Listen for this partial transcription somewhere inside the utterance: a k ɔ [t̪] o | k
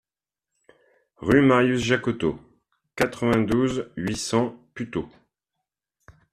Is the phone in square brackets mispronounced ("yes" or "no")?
no